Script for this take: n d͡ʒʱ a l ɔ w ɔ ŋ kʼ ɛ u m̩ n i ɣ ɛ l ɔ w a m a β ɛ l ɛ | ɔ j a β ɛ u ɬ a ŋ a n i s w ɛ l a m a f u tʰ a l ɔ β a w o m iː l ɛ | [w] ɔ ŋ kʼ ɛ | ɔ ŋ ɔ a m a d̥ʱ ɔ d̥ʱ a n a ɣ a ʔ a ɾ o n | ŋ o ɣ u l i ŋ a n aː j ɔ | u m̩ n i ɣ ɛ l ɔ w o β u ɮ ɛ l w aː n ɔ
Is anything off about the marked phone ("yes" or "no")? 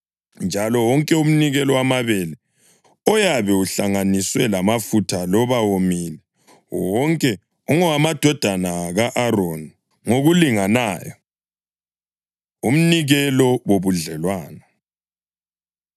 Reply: no